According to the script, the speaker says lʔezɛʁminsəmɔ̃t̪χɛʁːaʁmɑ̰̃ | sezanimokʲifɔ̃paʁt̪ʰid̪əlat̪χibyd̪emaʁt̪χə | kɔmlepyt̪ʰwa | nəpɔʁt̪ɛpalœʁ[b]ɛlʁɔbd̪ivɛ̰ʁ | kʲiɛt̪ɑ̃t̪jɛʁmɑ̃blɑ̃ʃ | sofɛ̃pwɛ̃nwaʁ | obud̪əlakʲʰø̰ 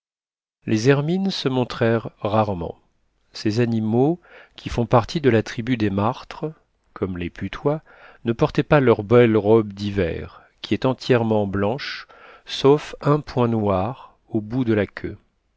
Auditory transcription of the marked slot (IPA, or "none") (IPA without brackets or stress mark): b